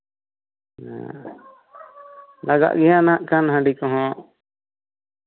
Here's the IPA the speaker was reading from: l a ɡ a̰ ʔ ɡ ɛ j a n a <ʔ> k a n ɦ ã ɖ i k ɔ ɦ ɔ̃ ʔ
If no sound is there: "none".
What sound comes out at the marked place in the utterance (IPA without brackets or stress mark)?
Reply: ʔ